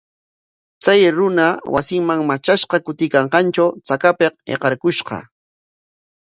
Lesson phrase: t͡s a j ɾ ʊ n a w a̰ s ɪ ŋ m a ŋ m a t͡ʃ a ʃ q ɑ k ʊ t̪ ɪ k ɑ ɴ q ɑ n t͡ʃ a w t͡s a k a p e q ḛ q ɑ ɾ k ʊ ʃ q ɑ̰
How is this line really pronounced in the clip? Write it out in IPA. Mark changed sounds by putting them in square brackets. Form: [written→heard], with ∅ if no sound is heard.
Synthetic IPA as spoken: t͡s a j ɾ ʊ n a w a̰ s ɪ ŋ m a ŋ m a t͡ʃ a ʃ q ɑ k ʊ t̪ ɪ k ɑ ɴ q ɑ n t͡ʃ a w t͡s a k a p e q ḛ q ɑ ɾ k ʊ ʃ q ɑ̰